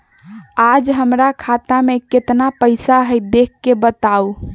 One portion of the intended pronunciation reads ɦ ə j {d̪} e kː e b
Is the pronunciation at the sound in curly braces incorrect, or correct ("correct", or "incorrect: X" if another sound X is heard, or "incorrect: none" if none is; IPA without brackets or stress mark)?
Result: correct